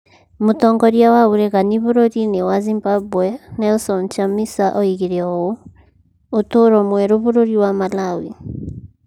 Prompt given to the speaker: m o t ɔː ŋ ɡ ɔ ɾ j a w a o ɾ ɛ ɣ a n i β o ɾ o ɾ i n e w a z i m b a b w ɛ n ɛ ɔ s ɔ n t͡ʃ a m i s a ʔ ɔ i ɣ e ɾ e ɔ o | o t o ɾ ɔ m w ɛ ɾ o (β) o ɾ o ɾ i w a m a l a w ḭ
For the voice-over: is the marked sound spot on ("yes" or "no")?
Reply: yes